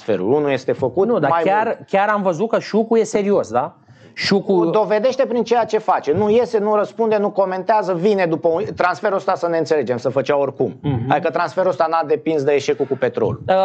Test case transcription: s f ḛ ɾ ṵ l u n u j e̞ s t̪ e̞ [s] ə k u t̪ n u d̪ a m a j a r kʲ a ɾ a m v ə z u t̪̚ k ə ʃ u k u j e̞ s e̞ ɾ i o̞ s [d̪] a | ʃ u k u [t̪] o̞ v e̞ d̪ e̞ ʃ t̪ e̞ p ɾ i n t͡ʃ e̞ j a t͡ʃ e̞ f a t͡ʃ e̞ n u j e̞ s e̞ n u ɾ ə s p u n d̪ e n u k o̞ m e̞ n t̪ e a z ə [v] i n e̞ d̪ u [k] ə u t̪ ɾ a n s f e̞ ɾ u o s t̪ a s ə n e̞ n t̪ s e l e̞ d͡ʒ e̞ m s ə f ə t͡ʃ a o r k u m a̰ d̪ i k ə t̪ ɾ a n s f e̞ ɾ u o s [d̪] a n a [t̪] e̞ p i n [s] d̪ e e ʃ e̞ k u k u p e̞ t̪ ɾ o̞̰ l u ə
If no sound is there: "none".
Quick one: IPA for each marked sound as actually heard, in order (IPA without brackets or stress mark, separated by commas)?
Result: f, d̪, d̪, v, p, t̪, d̪, s